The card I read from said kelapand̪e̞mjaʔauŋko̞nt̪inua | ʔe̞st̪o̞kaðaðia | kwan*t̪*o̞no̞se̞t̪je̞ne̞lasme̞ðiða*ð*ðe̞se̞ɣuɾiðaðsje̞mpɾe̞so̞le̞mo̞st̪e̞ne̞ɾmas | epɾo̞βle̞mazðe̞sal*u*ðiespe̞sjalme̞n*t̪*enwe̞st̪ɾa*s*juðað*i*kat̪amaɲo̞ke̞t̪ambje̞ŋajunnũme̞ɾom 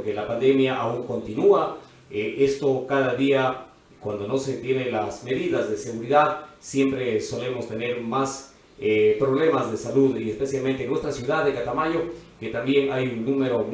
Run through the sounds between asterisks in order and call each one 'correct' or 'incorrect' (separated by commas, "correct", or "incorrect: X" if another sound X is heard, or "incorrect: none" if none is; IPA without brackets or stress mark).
incorrect: d̪, incorrect: z, correct, correct, correct, incorrect: e